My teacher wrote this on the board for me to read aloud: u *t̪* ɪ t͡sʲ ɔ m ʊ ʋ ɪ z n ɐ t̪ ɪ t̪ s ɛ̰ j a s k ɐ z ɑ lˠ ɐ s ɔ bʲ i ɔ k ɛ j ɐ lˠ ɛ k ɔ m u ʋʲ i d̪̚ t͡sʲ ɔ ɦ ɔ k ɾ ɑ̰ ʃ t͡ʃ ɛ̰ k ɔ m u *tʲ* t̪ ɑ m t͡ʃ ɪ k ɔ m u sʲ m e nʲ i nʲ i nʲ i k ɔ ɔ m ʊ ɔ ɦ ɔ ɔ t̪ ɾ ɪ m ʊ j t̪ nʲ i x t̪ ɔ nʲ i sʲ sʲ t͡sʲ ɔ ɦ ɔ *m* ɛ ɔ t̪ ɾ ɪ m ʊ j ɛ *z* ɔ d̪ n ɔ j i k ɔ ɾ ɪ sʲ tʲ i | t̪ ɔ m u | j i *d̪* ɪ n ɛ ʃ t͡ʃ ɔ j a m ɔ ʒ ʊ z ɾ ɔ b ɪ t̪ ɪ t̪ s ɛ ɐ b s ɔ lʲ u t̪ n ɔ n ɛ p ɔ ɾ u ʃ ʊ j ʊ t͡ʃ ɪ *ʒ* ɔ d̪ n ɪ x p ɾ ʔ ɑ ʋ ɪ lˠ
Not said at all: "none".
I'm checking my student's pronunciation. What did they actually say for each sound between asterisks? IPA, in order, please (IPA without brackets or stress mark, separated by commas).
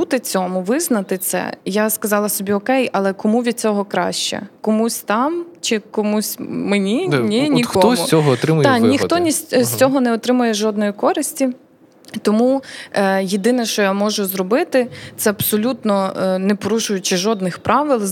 t̪, sʲ, n, ʒ, d̪, ʒ